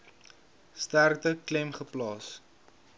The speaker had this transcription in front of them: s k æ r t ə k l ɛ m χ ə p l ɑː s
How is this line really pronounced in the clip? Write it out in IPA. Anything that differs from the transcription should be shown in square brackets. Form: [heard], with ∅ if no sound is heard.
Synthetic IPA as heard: s [t] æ r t ə k l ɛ m χ ə p l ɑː s

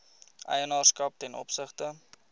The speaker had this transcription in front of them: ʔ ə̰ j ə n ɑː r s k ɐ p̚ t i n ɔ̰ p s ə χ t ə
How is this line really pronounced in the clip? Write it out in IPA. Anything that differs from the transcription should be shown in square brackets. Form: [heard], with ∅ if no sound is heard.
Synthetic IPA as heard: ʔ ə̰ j ə n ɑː r s k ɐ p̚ t [ɛ] n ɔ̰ p s ə χ t ə

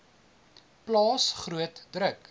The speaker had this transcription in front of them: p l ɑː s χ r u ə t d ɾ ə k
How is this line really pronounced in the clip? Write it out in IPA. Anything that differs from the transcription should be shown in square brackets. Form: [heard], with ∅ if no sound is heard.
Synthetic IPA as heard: p l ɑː s χ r u ə t d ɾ ə k

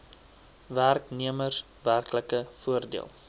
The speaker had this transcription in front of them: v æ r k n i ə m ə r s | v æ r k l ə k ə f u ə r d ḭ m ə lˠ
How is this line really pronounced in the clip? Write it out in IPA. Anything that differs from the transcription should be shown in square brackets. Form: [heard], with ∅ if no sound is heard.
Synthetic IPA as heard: v æ r k n i ə m ə r s | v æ r k l ə k ə f u ə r d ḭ [∅] ə lˠ

